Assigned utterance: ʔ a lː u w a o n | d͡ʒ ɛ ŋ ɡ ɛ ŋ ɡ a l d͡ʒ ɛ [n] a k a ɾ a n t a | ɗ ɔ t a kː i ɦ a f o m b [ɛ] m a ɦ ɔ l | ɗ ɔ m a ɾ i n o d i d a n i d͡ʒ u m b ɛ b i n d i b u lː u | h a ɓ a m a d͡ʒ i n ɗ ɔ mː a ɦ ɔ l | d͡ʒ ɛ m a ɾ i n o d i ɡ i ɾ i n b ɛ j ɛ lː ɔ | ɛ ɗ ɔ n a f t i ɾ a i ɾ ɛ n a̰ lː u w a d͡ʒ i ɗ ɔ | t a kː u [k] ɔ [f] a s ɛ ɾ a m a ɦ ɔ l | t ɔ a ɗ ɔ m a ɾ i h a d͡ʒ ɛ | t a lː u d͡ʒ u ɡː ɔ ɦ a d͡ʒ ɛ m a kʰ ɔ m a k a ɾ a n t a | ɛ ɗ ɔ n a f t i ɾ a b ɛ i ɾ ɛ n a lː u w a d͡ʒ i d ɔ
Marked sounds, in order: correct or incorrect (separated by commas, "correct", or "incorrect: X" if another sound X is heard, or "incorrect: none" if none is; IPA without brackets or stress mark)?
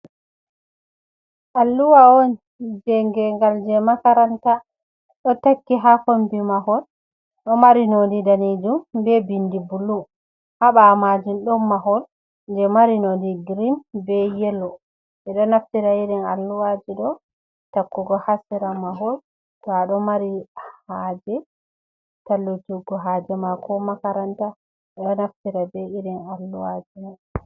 incorrect: m, incorrect: i, incorrect: ɡ, incorrect: h